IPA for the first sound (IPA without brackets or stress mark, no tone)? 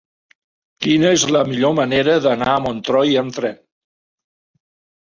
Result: k